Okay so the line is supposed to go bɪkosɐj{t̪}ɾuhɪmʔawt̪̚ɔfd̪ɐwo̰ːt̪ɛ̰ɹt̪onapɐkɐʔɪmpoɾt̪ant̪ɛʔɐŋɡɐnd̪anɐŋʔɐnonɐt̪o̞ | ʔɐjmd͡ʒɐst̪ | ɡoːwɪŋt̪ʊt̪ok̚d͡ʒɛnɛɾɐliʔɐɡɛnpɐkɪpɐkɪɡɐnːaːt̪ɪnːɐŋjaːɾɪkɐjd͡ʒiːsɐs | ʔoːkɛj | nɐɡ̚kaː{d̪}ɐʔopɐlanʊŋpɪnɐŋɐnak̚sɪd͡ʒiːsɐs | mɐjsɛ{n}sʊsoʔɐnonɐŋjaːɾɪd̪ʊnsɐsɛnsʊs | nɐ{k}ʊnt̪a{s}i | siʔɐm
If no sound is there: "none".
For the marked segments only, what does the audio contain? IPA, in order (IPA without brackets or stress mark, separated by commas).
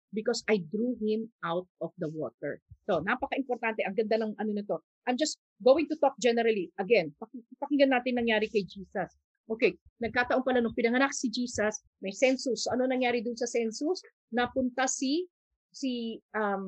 d̪, t̪, n, p, s